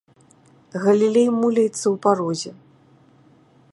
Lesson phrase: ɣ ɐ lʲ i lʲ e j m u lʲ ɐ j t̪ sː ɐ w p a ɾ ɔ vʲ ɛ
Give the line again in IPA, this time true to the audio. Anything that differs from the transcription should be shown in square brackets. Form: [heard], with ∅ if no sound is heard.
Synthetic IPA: ɣ ɐ lʲ i lʲ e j m u lʲ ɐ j t̪ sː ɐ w p a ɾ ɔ [zʲ] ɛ